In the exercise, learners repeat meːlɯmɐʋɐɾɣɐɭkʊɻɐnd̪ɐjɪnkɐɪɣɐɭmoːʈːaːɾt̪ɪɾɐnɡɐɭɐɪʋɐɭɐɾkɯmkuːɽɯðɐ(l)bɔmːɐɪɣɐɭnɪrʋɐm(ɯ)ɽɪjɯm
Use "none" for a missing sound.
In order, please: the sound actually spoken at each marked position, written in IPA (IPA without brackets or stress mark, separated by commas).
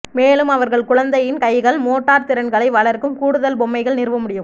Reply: l, ʊ